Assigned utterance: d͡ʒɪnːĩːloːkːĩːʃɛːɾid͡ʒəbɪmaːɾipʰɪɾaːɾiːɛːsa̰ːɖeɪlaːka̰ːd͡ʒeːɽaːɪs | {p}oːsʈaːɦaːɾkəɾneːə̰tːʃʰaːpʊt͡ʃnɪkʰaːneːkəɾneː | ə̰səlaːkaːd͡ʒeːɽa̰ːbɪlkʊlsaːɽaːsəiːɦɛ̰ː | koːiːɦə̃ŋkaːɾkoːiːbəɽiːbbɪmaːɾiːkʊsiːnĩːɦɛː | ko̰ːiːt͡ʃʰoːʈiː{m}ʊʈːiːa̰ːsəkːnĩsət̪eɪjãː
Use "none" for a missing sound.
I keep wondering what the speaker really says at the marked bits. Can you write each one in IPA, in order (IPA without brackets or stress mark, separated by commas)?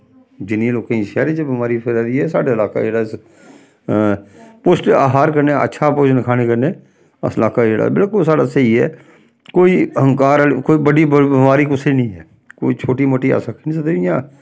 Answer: p, m